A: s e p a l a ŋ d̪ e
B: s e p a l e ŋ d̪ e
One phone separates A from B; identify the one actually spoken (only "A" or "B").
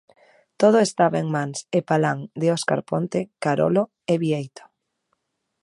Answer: A